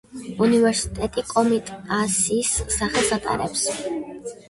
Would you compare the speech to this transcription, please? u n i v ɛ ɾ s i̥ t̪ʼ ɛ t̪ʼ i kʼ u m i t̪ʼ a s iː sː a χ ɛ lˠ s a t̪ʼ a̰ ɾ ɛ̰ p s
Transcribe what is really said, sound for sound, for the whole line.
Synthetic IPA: u n i v ɛ ɾ s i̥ t̪ʼ ɛ t̪ʼ i kʼ ɔ m i t̪ʼ a s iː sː a χ ɛ lˠ s a t̪ʼ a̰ ɾ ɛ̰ p s

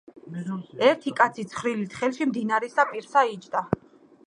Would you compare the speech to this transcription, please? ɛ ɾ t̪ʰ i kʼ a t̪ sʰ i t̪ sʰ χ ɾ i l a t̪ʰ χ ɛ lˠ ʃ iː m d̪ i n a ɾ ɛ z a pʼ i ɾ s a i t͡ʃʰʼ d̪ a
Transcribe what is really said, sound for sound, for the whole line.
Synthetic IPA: ɛ ɾ t̪ʰ i kʼ a t̪ sʰ i t̪ sʰ χ ɾ i l i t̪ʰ χ ɛ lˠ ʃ i m d̪ i n a ɾ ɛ s a pʼ i ɾ s a i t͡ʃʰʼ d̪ a

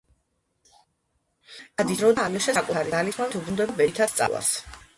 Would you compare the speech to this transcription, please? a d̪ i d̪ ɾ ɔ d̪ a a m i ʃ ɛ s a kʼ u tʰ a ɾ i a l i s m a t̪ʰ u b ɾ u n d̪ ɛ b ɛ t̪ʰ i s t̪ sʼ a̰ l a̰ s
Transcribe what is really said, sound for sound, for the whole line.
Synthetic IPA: a d̪ i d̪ ɾ ɔ d̪ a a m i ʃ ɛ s a kʼ u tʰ a ɾ i a l i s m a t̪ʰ u b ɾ u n d̪ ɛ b ɛ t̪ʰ a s t̪ sʼ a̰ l a̰ s

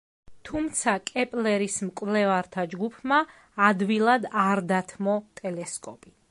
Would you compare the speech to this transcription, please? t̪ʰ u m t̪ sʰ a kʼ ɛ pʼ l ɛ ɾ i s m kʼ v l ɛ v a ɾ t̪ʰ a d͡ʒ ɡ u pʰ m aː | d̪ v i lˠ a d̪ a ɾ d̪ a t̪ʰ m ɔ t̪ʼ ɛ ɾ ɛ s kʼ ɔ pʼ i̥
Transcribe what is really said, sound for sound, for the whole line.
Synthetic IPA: t̪ʰ u m t̪ sʰ a kʼ ɛ pʼ l ɛ ɾ i s m kʼ v l ɛ v a ɾ t̪ʰ a d͡ʒ ɡ u pʰ m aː | d̪ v i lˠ a d̪ a ɾ d̪ a t̪ʰ m ɔ t̪ʼ ɛ l ɛ s kʼ ɔ pʼ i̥

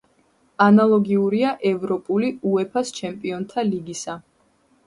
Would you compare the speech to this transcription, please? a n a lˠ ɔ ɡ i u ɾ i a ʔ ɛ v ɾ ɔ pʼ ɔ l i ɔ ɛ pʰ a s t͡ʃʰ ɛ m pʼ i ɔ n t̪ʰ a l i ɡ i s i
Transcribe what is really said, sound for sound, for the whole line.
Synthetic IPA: a n a lˠ ɔ ɡ i u ɾ i a ʔ ɛ v ɾ ɔ pʼ u l i u ɛ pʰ a s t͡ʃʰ ɛ m pʼ i ɔ n t̪ʰ a l i ɡ i s a

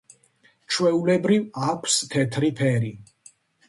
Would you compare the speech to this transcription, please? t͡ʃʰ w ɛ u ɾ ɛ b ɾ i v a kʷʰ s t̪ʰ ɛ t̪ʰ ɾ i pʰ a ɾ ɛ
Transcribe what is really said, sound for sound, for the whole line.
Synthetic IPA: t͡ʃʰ w ɛ u l ɛ b ɾ i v a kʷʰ s t̪ʰ ɛ t̪ʰ ɾ i pʰ ɛ ɾ i

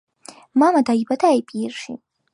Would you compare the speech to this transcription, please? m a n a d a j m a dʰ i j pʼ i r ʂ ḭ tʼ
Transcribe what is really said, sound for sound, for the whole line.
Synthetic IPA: m a m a d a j b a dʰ a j pʼ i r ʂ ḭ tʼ

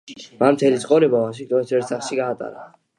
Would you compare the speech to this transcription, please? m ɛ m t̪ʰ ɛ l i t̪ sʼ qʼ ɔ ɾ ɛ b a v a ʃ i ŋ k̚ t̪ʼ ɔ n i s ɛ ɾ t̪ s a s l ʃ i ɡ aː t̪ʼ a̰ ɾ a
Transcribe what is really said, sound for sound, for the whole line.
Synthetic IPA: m a m t̪ʰ ɛ l i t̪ sʼ qʼ ɔ ɾ ɛ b a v a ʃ i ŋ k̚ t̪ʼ ɔ n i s ɛ ɾ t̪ s a χ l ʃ i ɡ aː t̪ʼ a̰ ɾ a

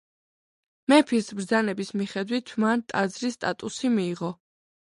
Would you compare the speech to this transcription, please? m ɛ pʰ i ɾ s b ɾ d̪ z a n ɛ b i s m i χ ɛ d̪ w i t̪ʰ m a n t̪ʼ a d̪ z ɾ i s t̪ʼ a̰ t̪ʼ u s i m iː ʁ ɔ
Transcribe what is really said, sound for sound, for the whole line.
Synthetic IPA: m ɛ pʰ i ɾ s b ɾ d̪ z a n ɛ b i s m i χ ɛ d̪ w i t̪ʰ m a n t̪ʼ a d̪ z ɾ i s t̪ʼ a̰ t̪ʼ u s i m iː ʁ ɔ

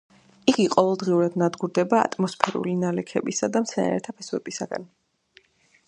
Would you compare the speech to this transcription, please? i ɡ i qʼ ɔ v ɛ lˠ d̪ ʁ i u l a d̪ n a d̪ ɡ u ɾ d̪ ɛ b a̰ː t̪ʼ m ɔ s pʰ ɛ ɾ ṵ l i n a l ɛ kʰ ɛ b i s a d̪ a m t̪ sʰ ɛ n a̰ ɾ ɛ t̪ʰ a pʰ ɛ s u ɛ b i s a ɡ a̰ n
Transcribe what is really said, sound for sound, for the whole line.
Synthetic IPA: i ɡ i qʼ ɔ v ɛ lˠ d̪ ʁ i u ɾ a d̪ n a d̪ ɡ u ɾ d̪ ɛ b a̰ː t̪ʼ m ɔ s pʰ ɛ ɾ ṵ l i n a l ɛ kʰ ɛ b i s a d̪ a m t̪ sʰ ɛ n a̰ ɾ ɛ t̪ʰ a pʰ ɛ s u ɛ b i s a ɡ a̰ n

